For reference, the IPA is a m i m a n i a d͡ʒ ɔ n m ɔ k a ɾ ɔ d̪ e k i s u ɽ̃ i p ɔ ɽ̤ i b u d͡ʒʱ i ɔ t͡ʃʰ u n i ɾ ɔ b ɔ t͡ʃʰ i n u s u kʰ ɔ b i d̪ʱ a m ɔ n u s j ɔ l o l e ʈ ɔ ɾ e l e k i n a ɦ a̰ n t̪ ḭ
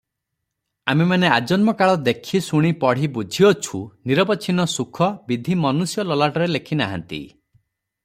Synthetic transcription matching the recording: a m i m a n e a d͡ʒ ɔ n m ɔ k a ɭ ɔ d̪ e kʰ i s u ɽ̃ i p ɔ ɽ̤ i b u d͡ʒʱ i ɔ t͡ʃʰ u n i ɾ ɔ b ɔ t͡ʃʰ i n ɔ s u kʰ ɔ b i d̪ʱ i m ɔ n u s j ɔ l ɔ l a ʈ ɔ ɾ e l e kʰ i n a ɦ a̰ n t̪ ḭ